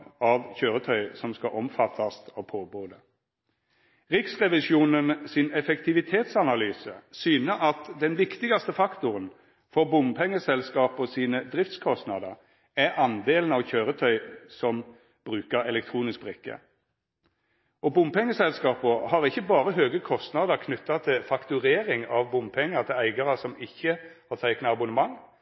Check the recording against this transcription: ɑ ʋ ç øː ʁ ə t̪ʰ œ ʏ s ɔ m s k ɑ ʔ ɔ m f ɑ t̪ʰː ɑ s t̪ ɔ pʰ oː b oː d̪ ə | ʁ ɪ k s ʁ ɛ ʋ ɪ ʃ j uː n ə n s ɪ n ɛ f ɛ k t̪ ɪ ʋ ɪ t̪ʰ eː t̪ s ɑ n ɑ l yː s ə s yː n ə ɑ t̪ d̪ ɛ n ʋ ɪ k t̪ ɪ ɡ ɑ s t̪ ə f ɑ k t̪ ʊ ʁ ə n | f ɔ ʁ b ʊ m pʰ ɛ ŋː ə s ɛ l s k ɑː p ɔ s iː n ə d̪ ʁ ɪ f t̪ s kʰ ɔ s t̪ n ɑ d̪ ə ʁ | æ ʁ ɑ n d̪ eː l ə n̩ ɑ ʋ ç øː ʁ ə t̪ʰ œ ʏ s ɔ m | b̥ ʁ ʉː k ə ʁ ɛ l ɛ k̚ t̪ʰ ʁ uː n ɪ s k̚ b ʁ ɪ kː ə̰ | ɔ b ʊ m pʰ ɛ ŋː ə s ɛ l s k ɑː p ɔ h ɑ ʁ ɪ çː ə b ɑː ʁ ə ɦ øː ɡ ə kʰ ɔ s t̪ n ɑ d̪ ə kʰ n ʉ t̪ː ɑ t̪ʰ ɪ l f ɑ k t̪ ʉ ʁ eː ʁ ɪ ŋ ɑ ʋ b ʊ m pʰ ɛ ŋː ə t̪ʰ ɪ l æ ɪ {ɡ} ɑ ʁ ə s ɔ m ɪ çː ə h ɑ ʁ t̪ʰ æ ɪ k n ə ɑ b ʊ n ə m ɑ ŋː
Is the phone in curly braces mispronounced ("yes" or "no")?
no